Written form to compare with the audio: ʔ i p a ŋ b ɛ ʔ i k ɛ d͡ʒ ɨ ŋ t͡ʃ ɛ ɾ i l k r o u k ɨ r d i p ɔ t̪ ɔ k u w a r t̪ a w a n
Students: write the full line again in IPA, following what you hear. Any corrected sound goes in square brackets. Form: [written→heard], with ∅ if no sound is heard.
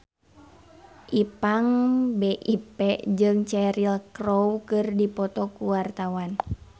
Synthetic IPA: ʔ i p a ŋ b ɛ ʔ i [k→p] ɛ d͡ʒ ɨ ŋ t͡ʃ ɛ ɾ i l k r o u k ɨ r d i p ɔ t̪ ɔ k u w a r t̪ a w a n